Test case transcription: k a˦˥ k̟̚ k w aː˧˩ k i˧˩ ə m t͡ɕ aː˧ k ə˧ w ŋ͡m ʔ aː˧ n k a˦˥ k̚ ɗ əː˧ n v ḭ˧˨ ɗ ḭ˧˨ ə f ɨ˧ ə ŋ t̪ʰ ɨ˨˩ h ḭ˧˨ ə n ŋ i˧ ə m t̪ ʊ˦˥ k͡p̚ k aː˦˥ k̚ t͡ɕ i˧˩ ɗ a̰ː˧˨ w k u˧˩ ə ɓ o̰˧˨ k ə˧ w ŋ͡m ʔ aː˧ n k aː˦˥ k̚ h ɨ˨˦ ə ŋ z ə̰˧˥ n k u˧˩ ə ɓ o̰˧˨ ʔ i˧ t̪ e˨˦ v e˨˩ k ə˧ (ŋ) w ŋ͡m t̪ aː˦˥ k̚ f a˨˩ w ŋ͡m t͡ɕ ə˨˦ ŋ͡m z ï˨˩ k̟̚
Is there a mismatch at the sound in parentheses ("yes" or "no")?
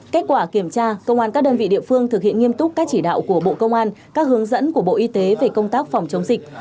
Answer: yes